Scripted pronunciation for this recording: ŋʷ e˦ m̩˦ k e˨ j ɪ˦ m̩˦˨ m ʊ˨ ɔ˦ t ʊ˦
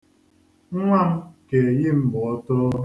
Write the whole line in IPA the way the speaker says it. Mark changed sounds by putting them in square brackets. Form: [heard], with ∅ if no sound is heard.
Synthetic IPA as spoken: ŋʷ [a˦] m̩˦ k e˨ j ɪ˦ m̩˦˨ [b] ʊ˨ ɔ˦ t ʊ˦